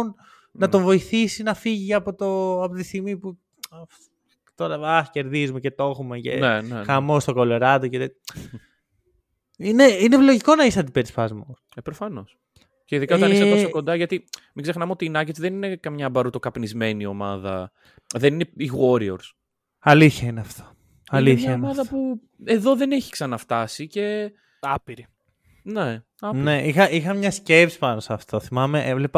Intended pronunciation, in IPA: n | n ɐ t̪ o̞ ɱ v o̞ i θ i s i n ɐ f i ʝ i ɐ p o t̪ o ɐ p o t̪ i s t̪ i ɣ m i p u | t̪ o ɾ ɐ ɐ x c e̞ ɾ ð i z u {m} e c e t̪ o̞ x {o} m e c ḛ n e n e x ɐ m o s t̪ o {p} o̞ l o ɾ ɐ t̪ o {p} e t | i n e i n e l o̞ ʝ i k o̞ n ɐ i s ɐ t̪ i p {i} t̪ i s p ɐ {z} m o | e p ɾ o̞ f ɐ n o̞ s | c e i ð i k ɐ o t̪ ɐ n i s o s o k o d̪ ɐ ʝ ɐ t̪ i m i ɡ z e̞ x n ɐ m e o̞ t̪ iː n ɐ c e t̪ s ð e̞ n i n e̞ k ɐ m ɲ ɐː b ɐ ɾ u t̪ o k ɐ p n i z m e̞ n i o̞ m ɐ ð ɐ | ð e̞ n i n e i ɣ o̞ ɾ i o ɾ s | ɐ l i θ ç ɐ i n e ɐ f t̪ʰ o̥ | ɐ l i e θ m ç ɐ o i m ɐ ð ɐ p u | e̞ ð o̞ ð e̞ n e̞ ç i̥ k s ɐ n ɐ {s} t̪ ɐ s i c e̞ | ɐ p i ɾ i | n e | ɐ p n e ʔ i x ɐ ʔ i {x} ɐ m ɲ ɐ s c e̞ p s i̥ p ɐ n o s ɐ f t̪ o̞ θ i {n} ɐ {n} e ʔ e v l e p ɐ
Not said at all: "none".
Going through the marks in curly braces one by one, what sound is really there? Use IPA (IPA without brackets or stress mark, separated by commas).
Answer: m, u, k, c, e, z, f, x, m, m